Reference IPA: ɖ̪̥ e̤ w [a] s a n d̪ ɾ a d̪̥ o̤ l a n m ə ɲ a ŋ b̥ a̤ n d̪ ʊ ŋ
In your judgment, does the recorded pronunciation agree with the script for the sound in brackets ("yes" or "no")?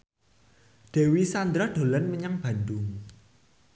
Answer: no